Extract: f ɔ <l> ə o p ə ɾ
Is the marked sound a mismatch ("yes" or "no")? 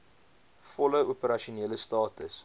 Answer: no